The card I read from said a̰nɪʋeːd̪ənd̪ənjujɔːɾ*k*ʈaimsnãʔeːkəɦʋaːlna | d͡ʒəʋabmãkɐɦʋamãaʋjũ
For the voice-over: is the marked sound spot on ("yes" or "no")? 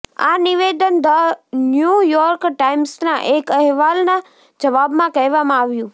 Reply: yes